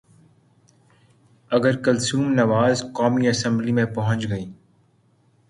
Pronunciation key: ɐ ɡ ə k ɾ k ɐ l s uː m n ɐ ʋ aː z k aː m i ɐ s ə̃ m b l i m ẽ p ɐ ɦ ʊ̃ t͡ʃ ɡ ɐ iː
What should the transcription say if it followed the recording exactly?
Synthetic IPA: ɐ ɡ ə ɾ k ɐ l s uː m n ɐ ʋ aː z k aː m i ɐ s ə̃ m b l i m ẽ p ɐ ɦ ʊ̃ t͡ʃ ɡ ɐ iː